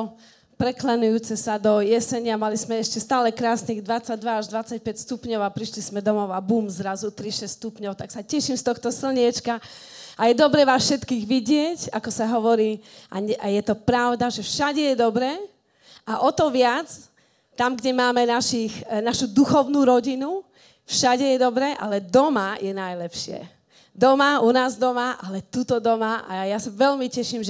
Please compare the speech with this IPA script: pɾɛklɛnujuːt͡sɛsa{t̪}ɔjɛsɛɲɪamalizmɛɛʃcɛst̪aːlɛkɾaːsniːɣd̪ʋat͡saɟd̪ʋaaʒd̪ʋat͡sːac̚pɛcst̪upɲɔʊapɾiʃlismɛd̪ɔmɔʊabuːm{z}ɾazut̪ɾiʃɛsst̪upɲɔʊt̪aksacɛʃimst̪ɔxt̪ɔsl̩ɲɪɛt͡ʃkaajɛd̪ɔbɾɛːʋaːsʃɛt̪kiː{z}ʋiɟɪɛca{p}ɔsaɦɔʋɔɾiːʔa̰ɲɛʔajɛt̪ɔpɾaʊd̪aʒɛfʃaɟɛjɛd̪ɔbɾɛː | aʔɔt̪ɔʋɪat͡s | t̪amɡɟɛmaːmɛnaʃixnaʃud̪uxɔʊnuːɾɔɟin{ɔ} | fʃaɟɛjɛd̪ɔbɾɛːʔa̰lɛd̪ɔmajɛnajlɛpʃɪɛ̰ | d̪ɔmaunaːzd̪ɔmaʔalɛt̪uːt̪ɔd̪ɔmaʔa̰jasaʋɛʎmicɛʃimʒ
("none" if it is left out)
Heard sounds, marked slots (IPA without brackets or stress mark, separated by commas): d̪, z, ɣ, k, u